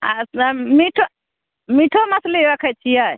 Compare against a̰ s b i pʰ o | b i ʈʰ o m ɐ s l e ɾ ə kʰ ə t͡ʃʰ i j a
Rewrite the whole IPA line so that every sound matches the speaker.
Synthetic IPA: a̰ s m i ʈʰ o | m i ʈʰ o m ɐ s l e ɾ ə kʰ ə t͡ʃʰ i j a